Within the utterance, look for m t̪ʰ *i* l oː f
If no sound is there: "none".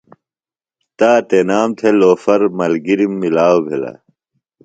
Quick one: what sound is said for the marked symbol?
e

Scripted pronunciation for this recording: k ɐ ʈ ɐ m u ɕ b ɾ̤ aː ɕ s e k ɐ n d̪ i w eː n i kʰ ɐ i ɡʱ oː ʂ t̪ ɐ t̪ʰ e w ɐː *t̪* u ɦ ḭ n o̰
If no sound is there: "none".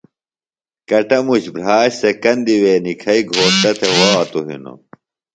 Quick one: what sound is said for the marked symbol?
t̪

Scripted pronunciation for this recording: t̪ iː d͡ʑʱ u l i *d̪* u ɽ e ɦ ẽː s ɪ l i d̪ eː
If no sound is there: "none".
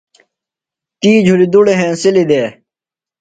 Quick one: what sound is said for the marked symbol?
d̪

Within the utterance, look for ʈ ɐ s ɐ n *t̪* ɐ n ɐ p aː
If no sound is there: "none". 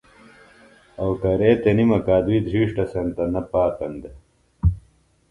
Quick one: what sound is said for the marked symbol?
t̪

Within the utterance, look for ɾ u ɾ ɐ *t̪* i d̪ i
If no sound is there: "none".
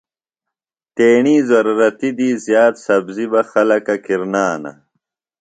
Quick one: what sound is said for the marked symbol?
t̪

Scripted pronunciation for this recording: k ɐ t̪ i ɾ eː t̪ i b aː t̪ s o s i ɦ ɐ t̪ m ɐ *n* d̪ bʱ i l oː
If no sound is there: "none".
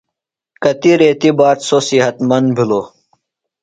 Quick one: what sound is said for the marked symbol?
n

